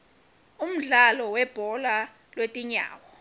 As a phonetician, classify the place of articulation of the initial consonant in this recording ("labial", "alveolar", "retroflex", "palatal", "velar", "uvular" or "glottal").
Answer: labial